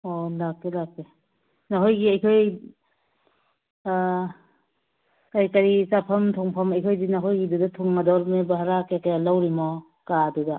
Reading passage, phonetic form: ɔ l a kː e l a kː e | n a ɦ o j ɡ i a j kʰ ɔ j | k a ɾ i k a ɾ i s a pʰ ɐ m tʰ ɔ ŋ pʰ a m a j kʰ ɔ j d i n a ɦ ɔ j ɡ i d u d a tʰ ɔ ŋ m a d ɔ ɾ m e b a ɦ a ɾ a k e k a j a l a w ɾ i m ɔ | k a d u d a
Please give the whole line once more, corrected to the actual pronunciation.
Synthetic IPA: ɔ l a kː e l a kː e | n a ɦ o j ɡ i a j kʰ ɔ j | k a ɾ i k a ɾ i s a pʰ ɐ m tʰ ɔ ŋ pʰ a m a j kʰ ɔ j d i n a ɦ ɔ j ɡ i d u d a tʰ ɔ ŋ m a d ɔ ɾ m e b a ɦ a ɾ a k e k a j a l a w ɾ i m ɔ | k a d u d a